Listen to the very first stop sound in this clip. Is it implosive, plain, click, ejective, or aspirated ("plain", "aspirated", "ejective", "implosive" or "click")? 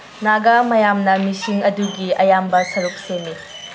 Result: plain